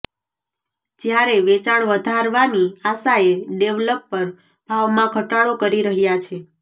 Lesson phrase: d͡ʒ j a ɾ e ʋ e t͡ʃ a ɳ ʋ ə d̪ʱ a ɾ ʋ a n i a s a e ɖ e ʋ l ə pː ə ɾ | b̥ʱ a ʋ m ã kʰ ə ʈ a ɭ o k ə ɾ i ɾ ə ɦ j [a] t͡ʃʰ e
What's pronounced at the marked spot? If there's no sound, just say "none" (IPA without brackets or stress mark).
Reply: a